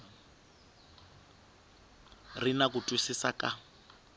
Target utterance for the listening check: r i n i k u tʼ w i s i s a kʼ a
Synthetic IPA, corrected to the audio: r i n a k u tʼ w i s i s a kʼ a